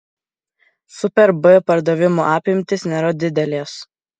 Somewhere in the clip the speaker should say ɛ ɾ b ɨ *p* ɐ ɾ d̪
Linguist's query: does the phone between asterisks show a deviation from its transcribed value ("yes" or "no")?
no